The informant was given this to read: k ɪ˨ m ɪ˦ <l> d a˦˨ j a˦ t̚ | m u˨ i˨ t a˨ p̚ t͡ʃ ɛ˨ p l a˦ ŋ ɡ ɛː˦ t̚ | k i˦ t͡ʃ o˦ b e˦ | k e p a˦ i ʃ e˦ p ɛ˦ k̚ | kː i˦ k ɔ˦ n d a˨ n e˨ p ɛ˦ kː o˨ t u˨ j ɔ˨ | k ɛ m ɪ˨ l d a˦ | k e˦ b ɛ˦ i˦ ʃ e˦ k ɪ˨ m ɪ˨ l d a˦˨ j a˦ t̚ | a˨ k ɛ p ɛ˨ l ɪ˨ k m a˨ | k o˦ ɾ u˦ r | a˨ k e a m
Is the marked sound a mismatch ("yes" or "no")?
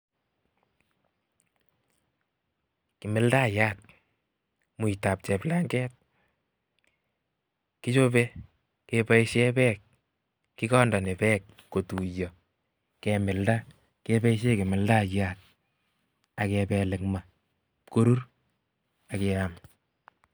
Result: no